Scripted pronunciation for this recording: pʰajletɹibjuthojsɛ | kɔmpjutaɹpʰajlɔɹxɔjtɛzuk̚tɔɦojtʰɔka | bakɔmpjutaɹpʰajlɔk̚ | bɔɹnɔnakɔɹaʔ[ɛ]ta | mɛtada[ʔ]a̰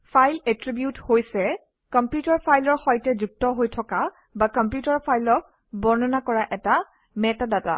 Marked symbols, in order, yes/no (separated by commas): yes, no